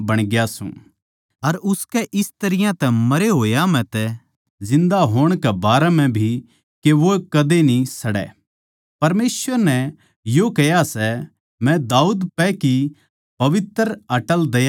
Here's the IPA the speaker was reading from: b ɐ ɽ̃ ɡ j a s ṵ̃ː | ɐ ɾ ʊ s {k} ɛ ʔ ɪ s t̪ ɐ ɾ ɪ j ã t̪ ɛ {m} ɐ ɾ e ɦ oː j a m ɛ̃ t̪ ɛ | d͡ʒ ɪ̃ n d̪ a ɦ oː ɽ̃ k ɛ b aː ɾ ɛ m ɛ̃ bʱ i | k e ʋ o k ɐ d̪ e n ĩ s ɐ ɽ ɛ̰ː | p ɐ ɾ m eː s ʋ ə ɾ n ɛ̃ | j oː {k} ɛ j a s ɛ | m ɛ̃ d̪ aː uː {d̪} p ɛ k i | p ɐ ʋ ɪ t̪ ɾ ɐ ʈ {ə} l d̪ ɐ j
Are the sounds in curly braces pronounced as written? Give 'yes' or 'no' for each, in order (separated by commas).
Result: yes, yes, yes, yes, yes